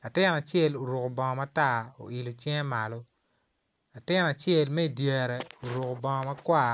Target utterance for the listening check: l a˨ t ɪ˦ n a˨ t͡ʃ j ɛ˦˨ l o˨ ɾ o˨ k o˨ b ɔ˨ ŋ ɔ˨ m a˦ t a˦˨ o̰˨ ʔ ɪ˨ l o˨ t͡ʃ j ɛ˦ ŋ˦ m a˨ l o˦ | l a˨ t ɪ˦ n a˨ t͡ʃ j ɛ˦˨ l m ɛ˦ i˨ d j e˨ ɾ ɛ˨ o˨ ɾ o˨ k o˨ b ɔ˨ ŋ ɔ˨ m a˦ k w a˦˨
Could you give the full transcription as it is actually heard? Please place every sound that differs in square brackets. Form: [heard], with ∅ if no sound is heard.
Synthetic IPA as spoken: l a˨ t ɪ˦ n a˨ t͡ʃ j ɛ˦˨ l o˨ ɾ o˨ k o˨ b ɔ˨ ŋ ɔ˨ m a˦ t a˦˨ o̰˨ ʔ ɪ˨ l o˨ t͡ʃ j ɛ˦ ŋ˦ m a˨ l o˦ | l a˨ t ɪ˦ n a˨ t͡ʃ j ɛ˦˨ l m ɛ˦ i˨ d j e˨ ɾ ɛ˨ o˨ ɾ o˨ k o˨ b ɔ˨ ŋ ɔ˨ m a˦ k w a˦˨